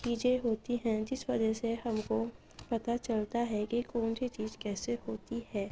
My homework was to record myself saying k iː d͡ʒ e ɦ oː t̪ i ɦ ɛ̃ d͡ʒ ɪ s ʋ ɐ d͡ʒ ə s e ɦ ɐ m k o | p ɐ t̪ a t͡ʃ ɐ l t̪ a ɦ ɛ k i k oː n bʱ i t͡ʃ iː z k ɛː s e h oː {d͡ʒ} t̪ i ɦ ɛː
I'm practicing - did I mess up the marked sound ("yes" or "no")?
yes